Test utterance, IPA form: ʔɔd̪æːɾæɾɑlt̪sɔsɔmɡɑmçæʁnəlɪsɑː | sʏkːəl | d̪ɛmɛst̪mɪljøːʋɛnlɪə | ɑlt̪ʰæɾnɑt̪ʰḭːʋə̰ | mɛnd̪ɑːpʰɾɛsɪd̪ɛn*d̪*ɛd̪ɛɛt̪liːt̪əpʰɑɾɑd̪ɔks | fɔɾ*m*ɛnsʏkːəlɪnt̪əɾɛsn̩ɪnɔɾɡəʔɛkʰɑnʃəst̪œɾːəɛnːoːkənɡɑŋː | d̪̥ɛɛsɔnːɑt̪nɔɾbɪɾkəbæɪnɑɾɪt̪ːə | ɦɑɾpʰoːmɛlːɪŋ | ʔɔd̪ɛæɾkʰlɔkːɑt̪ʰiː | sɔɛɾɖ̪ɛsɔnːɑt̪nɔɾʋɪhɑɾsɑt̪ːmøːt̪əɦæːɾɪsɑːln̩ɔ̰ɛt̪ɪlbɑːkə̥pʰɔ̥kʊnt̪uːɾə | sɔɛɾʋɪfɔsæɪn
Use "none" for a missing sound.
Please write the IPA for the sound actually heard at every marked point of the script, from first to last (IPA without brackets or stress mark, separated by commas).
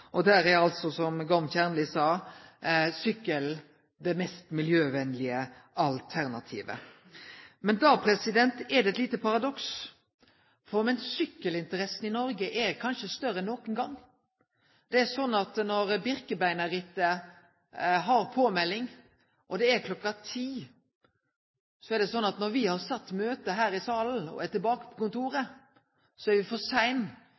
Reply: t̪, m